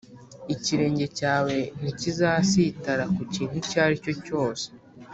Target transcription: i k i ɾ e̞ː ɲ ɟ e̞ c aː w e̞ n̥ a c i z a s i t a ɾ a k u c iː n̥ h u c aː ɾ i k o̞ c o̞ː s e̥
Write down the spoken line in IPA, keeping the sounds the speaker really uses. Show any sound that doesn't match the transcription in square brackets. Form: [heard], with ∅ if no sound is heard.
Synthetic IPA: i [c] i ɾ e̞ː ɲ ɟ e̞ c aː w e̞ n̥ [i] c i z a s i t a ɾ a k u c iː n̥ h u c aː ɾ i [c] o̞ c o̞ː s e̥